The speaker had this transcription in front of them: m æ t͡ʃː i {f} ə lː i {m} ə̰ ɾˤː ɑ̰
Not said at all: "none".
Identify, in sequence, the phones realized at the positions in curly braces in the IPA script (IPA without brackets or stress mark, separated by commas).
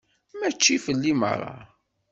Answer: f, m